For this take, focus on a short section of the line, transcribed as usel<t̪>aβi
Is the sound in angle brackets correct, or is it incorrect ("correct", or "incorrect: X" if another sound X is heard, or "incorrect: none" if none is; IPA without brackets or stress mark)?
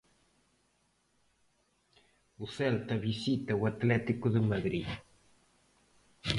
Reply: correct